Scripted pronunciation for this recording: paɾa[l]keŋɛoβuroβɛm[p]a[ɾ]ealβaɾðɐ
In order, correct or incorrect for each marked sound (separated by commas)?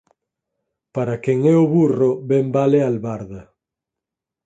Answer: incorrect, incorrect, incorrect